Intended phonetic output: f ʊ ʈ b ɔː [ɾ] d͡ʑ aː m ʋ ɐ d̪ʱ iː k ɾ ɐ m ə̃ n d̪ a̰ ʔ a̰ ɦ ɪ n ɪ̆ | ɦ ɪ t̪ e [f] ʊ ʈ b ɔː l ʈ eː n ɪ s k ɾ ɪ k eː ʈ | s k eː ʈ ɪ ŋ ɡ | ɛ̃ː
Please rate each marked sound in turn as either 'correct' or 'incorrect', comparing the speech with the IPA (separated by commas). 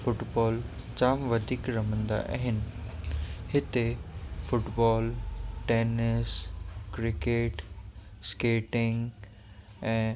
incorrect, correct